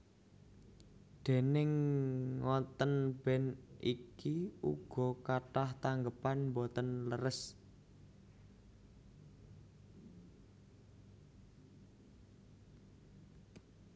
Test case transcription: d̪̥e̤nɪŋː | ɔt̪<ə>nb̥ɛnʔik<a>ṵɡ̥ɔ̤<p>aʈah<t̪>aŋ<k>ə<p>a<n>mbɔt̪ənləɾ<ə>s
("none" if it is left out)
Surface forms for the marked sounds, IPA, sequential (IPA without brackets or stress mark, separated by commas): ə, i, k, t̪, ɡ, p, n, ə